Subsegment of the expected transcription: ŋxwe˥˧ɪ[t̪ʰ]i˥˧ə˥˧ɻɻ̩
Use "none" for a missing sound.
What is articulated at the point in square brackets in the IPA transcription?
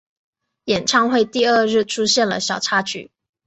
t̪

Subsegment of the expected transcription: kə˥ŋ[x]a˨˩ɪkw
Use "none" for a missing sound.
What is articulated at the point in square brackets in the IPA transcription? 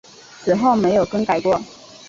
k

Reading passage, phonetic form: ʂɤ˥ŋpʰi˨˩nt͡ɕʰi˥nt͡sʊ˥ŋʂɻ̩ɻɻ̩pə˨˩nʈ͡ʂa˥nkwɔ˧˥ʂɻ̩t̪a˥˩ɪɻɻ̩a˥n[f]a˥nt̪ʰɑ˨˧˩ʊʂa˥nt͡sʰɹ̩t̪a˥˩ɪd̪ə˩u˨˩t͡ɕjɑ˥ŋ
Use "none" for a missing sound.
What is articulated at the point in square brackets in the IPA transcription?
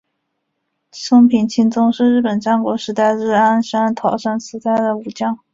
ʂ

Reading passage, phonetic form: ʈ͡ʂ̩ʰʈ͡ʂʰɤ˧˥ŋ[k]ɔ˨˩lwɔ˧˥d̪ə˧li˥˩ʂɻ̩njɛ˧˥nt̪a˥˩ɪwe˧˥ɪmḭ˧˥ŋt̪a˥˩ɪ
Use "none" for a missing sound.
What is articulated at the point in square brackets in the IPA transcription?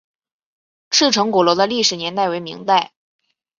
k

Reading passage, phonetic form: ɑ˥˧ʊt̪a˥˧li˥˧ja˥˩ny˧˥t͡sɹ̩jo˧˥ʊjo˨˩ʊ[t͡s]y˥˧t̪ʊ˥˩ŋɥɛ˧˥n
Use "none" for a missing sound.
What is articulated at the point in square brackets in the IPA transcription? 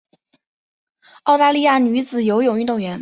none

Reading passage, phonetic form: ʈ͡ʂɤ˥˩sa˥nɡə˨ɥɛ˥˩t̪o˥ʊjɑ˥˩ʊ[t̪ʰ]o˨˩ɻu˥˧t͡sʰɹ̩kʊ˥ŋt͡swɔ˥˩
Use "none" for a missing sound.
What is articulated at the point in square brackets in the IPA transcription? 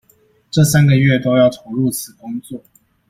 t̪ʰ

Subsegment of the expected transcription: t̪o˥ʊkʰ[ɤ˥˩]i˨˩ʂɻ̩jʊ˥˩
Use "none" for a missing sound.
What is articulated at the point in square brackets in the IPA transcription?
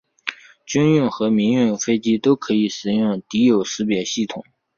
ɤ˧˥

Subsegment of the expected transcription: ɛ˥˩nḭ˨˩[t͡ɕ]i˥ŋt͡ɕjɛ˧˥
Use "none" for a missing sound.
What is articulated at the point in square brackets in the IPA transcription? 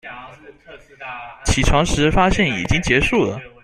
t͡ɕ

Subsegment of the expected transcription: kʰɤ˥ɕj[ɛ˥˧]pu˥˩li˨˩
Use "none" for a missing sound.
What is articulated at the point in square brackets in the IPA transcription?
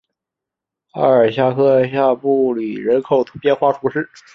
a˥˧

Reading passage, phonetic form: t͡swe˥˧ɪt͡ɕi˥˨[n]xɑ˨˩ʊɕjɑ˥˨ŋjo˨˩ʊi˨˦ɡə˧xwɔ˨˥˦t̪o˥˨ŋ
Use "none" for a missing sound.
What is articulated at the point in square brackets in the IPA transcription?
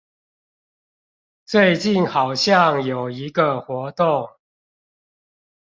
n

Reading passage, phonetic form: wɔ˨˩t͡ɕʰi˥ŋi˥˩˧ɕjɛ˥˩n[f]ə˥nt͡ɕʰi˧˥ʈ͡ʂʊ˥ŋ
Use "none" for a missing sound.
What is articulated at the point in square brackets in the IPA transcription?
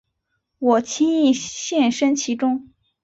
ʂ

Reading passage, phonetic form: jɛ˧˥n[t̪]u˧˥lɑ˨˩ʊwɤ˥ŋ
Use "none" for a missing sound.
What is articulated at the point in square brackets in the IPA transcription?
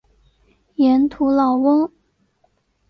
t̪ʰ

